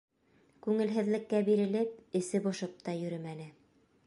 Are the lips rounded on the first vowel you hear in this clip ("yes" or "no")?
yes